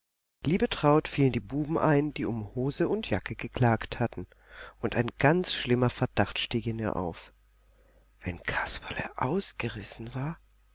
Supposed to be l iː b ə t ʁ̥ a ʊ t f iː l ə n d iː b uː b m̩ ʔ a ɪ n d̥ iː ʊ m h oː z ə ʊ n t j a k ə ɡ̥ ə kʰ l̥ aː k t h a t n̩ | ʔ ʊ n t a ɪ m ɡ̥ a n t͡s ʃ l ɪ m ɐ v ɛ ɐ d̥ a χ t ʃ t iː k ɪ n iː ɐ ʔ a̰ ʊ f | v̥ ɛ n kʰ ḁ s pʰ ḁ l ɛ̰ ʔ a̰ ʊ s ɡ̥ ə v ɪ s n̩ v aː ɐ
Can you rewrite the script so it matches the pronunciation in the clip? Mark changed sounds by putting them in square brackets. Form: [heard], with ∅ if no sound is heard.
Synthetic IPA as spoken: l iː b ə t ʁ̥ a ʊ t f iː l ə n d iː b uː b m̩ ʔ a ɪ n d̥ iː ʊ m h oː z ə ʊ n t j a k ə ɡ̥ ə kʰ l̥ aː k t h a t n̩ | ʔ ʊ n t a ɪ [n] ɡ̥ a n t͡s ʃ l ɪ m ɐ [f] ɛ ɐ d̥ a χ t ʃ t iː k ɪ n iː ɐ ʔ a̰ ʊ f | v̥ ɛ n kʰ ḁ s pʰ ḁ l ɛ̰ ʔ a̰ ʊ s ɡ̥ ə [ʁ] ɪ s n̩ v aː ɐ